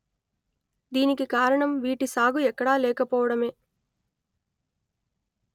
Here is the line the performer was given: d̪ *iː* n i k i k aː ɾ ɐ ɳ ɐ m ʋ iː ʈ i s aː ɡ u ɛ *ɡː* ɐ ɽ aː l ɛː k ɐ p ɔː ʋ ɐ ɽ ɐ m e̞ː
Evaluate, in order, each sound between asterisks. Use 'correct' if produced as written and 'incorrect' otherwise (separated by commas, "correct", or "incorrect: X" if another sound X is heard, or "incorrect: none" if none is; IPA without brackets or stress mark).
correct, incorrect: kː